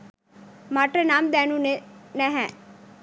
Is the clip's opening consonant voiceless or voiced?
voiced